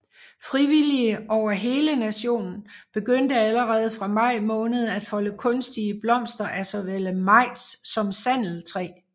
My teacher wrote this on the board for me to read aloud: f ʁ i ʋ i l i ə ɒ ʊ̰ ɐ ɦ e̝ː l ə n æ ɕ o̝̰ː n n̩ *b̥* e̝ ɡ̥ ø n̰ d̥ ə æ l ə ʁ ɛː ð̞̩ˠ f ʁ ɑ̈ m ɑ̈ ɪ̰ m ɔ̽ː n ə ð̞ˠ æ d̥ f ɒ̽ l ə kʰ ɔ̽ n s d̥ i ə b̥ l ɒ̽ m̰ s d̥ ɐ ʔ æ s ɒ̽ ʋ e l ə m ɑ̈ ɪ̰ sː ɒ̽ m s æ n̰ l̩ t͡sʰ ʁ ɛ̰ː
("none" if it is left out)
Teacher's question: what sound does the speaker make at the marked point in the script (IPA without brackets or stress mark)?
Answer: b̥